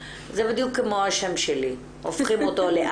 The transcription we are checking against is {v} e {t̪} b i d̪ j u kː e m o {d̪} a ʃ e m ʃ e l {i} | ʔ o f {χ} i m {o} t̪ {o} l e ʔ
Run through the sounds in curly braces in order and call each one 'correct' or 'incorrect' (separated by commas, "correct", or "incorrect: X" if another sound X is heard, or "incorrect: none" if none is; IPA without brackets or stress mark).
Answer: incorrect: z, incorrect: none, incorrect: none, correct, correct, correct, correct